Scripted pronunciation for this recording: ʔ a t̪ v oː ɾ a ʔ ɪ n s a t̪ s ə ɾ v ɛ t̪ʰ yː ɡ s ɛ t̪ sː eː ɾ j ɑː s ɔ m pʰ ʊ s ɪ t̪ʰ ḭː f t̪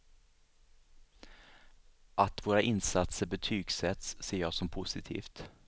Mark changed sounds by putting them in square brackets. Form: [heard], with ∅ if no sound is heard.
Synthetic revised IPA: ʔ a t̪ v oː ɾ a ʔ ɪ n s a t̪ s ə ɾ [b] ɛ t̪ʰ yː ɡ s ɛ t̪ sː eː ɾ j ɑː s ɔ m pʰ ʊ s ɪ t̪ʰ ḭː f t̪